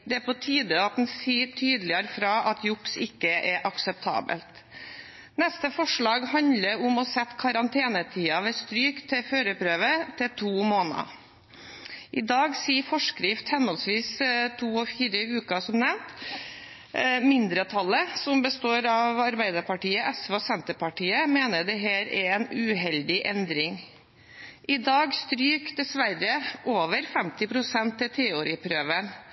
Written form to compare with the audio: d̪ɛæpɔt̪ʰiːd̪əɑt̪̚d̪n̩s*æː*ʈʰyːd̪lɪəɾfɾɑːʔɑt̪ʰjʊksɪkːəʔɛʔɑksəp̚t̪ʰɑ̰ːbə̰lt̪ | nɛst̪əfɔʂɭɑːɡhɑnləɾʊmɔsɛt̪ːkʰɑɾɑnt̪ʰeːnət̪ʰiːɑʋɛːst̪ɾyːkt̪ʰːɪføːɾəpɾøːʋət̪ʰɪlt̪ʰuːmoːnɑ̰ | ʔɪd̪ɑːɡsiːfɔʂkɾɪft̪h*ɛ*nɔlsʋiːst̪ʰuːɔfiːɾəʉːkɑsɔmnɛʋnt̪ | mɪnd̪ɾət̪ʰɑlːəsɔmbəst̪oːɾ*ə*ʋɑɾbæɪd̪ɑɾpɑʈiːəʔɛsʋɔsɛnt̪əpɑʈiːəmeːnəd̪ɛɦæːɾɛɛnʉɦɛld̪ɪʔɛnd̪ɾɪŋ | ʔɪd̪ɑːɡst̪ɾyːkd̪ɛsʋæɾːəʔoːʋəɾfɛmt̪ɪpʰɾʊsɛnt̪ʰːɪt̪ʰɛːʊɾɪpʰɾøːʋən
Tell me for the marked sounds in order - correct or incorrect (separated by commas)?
incorrect, correct, incorrect